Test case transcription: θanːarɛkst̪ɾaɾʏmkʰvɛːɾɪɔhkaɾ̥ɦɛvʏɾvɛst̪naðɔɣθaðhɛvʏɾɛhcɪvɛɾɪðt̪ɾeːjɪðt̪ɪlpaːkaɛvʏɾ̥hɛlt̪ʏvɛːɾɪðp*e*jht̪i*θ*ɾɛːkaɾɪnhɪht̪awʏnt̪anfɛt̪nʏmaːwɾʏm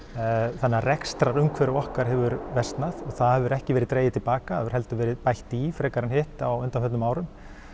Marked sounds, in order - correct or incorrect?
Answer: incorrect: a, incorrect: f

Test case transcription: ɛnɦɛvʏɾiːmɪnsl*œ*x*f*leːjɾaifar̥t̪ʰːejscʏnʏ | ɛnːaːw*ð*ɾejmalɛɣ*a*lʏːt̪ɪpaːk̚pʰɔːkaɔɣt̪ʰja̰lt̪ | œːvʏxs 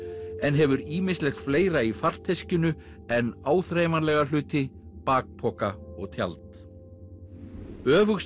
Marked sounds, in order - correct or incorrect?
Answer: incorrect: ɛ, correct, incorrect: θ, correct

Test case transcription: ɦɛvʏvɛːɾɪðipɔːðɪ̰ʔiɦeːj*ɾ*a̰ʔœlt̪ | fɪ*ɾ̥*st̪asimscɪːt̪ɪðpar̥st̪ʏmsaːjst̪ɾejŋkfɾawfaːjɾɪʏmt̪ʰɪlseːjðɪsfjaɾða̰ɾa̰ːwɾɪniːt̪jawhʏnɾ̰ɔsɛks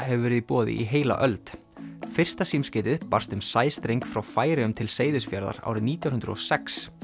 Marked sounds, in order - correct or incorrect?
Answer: incorrect: l, incorrect: r̥

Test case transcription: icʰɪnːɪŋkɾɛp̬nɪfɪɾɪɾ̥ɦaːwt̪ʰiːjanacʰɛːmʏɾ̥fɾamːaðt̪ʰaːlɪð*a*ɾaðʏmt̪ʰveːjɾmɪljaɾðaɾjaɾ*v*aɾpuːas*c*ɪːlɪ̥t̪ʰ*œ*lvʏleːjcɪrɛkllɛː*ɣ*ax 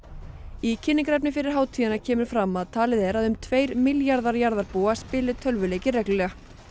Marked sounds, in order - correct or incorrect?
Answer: incorrect: ɛ, incorrect: ð, incorrect: p, correct, correct

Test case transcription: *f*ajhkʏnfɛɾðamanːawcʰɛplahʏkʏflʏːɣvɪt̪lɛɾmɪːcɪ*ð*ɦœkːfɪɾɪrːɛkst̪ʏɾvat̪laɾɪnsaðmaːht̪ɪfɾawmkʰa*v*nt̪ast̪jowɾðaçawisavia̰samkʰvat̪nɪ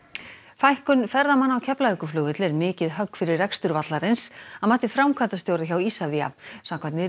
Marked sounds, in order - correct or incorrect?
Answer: correct, correct, incorrect: none

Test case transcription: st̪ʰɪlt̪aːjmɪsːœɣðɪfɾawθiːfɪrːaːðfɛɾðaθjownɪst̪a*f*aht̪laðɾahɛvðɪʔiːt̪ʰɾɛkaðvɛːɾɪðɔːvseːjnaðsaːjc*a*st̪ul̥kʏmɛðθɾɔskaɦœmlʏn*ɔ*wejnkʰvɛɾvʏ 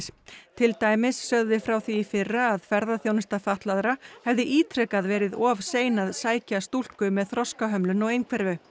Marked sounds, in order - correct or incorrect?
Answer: correct, correct, correct

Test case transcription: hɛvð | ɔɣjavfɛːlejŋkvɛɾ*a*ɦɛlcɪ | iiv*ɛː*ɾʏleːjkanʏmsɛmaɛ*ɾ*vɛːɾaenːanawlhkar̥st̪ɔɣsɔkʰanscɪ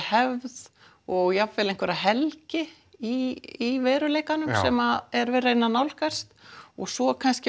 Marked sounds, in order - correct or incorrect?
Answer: correct, correct, correct

